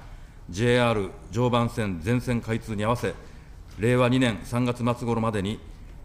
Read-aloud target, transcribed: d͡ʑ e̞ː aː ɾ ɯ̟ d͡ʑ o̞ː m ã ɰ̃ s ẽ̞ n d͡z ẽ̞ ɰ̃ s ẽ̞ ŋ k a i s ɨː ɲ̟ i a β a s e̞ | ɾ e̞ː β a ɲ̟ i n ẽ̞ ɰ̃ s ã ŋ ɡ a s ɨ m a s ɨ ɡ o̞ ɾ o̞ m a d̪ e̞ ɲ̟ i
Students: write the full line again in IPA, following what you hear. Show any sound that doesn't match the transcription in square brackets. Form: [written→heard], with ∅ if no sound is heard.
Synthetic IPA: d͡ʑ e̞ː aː ɾ ɯ̟ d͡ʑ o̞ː [m→b] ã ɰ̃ s ẽ̞ n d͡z ẽ̞ ɰ̃ s ẽ̞ ŋ k a i [s→t͡s] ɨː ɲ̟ i a β a s e̞ | ɾ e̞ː β a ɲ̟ i n ẽ̞ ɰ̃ s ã ŋ ɡ a [s→t͡s] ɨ m a [s→t͡s] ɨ ɡ o̞ ɾ o̞ m a d̪ e̞ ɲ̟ i